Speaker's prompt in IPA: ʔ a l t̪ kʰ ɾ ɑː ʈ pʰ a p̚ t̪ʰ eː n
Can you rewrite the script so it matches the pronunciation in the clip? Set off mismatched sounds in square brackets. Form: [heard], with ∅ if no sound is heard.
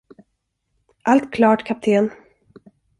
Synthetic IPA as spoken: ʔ a l t̪ kʰ [l] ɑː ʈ [kʰ] a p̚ t̪ʰ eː n

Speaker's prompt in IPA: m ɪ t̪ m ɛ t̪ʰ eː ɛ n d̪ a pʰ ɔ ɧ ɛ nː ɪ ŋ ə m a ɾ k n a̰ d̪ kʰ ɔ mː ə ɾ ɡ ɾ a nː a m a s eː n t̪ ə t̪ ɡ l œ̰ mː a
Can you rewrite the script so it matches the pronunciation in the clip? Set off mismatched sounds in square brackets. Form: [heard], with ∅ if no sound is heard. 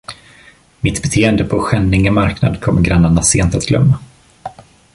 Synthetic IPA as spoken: m ɪ t̪ [b] ɛ t̪ʰ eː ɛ n d̪ [ə] pʰ ɔ ɧ ɛ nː ɪ ŋ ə m a ɾ k n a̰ d̪ kʰ ɔ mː ə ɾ ɡ ɾ a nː a [ɳ] a s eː n t̪ [a] t̪ ɡ l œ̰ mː a

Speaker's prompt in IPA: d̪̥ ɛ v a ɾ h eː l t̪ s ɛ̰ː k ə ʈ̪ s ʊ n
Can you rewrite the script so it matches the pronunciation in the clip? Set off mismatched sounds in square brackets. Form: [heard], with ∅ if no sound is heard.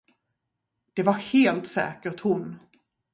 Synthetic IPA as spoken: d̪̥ ɛ v a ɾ h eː l t̪ s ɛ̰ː k ə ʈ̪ [h] ʊ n

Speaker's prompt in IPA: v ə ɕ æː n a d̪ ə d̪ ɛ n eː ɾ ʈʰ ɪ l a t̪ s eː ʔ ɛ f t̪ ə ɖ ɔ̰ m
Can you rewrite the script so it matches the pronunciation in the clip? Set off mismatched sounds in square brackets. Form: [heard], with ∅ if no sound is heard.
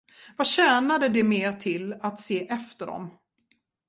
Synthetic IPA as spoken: v [a] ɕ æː n a d̪ ə d̪ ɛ [m] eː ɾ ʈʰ ɪ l a t̪ s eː ʔ ɛ f t̪ ə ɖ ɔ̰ m

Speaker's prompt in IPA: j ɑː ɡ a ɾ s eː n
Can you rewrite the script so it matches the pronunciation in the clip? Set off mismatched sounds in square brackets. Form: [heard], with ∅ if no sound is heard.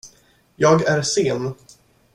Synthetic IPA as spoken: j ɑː ɡ [æ] ɾ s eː n

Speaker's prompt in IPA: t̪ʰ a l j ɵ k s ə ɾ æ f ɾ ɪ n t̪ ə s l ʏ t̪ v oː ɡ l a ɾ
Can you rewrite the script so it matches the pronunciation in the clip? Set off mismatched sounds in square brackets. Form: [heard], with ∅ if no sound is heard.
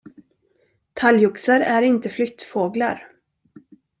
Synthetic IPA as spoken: t̪ʰ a l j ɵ k s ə ɾ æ [∅] ɾ ɪ n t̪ ə [f] l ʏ t̪ [f] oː ɡ l a ɾ

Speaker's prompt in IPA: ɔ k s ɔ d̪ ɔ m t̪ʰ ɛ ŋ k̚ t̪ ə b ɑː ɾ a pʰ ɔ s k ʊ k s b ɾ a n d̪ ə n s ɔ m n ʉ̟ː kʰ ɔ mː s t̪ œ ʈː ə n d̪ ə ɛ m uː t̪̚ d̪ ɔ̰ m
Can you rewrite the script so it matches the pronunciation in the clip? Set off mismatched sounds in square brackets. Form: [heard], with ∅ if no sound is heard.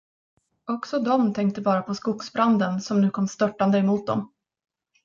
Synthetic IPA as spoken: ɔ k s ɔ d̪ ɔ m t̪ʰ ɛ ŋ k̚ t̪ ə b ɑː ɾ a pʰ ɔ s k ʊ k s b ɾ a n d̪ ə n s ɔ m n ʉ̟ː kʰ ɔ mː s t̪ œ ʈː [a] n d̪ ə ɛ m uː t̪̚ d̪ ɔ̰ m

